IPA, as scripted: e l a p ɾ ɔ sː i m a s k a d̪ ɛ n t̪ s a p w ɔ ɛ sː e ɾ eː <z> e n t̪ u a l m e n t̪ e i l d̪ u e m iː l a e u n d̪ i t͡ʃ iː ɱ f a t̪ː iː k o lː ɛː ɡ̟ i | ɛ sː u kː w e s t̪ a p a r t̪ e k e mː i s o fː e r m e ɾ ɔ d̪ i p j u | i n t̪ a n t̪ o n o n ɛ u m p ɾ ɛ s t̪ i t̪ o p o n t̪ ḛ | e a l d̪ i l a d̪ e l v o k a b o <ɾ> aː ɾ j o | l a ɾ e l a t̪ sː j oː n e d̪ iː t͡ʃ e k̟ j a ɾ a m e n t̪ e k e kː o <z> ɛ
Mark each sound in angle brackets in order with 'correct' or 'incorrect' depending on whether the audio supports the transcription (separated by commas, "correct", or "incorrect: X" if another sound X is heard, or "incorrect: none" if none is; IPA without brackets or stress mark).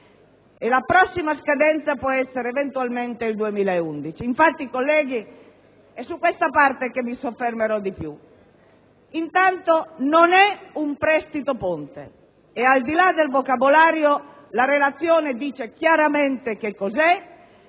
incorrect: v, incorrect: l, correct